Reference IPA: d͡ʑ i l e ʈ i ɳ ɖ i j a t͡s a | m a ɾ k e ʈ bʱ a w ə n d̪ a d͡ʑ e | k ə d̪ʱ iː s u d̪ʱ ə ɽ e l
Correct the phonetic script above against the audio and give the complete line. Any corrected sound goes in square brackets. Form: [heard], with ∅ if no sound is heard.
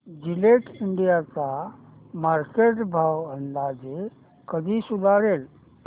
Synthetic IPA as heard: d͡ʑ i l e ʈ i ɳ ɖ i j a t͡s a | m a ɾ k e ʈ bʱ a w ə n d̪ a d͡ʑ e | k ə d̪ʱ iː s u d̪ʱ [a] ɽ e l